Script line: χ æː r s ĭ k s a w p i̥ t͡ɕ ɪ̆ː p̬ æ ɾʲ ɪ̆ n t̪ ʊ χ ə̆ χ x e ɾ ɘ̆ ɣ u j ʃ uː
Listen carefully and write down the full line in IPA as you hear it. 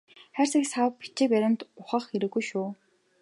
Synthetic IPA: χ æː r s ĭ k s a w p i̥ t͡ɕ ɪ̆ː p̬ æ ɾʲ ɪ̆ n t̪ ʊ χ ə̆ χ x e ɾ ɘ̆ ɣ u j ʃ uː

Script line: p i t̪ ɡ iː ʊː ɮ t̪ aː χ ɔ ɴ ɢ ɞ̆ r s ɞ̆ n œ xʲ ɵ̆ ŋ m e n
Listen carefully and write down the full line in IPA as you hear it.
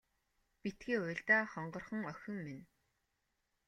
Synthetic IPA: p i t̪ ɡ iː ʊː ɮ t̪ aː χ ɔ ɴ ɢ ɞ̆ r χ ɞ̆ ŋ œ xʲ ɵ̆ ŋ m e n

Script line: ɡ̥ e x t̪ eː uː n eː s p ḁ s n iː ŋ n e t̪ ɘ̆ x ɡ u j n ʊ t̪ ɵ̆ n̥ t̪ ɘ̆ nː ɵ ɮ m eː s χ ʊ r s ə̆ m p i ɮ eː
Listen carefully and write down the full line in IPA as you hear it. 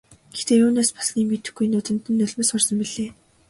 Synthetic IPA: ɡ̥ e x t̪ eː uː n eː s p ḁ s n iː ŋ m e t̪ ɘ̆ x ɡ u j n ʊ t̪ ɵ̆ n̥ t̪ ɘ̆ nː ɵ ɮ m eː s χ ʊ r s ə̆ m p i ɮ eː

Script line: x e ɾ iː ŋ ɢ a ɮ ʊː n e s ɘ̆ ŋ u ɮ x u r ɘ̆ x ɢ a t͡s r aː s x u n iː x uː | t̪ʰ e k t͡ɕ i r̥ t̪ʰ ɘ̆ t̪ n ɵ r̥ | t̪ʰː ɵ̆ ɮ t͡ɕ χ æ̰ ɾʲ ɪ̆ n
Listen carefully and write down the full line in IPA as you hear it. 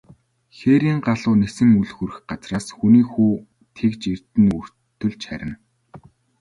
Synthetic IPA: x e ɾ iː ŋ ɢ a ɮ ʊː n e s ɘ̆ ŋ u ɮ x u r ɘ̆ x ɢ a t͡s r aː s x u n iː x uː | t̪ʰ e k t͡ɕ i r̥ t̪ ɘ̆ n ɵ r̥ | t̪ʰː ɵ̆ ɮ t͡ɕ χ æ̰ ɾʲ ɪ̆ n

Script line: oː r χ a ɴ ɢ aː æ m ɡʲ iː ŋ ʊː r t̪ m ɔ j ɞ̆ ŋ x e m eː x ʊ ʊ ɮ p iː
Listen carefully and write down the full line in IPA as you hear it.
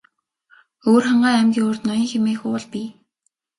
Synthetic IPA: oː r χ a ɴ ɢ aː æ m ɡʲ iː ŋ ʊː r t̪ n ɔ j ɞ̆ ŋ x e m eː x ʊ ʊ ɮ p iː

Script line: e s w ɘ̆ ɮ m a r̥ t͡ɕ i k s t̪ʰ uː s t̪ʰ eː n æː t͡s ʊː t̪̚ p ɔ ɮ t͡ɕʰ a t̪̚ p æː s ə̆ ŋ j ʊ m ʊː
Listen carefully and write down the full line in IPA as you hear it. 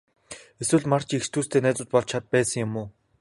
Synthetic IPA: e s w ɘ̆ ɮ m a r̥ t͡ɕ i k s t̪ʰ uː s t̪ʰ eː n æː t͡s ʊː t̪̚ p ɔ ɮ t͡ɕʰ a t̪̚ p æː s ə̆ ŋ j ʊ m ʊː

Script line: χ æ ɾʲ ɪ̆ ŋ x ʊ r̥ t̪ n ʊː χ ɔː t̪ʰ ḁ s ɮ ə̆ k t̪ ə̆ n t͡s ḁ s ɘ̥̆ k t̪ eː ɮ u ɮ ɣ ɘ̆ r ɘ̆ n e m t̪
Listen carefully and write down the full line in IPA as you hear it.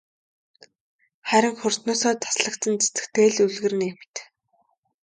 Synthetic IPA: χ æ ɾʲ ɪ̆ ŋ x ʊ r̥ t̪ n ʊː s ɔː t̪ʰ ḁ s ɮ ə̆ k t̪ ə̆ n t͡s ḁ t͡s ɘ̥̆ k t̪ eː ɮ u ɮ ɣ ɘ̆ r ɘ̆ n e m t̪

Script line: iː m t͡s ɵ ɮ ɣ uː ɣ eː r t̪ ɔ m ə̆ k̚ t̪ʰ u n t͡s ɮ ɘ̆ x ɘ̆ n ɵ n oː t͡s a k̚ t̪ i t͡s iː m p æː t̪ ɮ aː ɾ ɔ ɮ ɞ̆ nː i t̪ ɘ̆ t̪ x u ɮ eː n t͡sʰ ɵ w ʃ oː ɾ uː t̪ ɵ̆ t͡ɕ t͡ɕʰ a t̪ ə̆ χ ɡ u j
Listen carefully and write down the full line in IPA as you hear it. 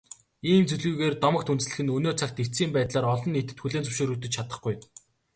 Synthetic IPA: iː m t͡s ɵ ɮ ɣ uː ɣ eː r t̪ ɔ m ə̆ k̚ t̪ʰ u n t͡s ɮ ɘ̆ x ɘ̆ n ɵ n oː t͡sʰ a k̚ t̪ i t͡s iː m p æː t̪ ɮ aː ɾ ɔ ɮ ɞ̆ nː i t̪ ɘ̆ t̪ x u ɮ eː n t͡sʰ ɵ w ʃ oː ɾ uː t̪ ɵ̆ t͡ɕ t͡ɕʰ a t̪ ə̆ χ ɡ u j

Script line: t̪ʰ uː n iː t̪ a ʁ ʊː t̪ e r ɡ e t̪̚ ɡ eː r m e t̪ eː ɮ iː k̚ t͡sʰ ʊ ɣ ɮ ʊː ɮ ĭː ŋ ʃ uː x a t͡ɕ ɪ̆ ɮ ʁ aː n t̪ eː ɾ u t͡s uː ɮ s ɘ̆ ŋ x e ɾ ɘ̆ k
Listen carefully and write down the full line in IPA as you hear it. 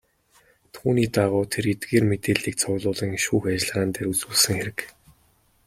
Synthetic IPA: t̪ʰ uː n iː t̪ a ʁ ʊː t̪ʰ e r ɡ e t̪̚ ɡ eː r m e t̪ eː ɮ iː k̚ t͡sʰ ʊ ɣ ɮ ʊː ɮ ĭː ŋ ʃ uː x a t͡ɕ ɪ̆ ɮ ʁ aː n t̪ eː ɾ u t͡s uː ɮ s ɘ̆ ŋ x e ɾ ɘ̆ k

